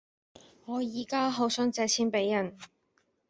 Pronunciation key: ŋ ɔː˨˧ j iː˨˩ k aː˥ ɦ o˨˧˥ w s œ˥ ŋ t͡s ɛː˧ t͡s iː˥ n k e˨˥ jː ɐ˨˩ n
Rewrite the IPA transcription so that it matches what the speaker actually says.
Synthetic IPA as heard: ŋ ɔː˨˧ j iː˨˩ k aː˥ ɦ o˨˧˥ w s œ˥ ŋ t͡s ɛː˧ t͡sʰ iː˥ n p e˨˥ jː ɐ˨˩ n

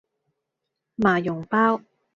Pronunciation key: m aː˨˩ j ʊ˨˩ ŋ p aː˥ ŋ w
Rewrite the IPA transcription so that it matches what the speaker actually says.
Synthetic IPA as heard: m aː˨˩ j ʊ˨˩ ŋ p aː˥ w

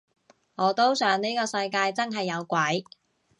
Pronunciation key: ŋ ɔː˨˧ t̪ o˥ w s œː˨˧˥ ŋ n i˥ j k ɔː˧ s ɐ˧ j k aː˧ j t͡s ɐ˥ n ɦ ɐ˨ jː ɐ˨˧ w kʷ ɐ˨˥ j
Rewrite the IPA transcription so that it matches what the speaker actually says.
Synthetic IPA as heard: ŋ ɔː˨˧ t̪ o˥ w s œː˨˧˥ ŋ n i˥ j k ɔː˧ s ɐ˧ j k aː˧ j t͡s ɐ˥ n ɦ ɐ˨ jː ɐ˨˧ w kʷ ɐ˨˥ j

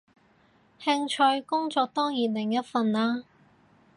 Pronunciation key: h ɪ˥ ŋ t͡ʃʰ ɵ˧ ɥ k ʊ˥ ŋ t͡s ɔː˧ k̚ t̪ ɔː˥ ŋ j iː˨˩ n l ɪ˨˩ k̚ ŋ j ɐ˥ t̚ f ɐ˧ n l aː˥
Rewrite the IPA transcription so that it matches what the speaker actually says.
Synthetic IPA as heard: h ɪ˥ ŋ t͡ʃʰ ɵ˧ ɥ k ʊ˥ ŋ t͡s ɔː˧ k̚ t̪ ɔː˥ ŋ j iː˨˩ n l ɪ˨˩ ŋ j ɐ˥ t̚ f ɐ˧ n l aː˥

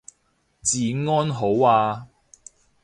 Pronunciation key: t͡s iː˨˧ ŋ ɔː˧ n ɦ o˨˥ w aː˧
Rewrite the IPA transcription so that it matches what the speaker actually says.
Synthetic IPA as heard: t͡s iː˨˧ ŋ ɔː˥ n ɦ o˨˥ w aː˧

